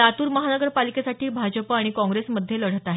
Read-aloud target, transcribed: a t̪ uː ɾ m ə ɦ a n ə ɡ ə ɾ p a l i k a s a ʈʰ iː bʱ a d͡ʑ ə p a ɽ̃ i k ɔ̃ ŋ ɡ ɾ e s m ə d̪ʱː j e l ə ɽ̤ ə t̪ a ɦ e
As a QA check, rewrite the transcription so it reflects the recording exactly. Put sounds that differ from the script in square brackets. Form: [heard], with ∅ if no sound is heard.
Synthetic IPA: a t̪ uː ɾ m ə ɦ a n ə ɡ ə ɾ p a l i k [e] s a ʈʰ iː bʱ a d͡ʑ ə p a ɽ̃ i k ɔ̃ ŋ ɡ ɾ e s m ə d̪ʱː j e l ə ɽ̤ ə t̪ a ɦ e